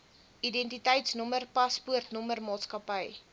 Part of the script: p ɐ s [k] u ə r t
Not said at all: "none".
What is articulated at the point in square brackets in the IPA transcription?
p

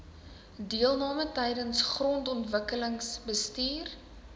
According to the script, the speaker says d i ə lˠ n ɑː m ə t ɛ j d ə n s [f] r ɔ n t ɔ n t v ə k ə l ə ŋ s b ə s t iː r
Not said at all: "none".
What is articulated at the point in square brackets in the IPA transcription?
χ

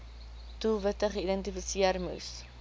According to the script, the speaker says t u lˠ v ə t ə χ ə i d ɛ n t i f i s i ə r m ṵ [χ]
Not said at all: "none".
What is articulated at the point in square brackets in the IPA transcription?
s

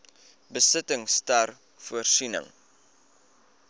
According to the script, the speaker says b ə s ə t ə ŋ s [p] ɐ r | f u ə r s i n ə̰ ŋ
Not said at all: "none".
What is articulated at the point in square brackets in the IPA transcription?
t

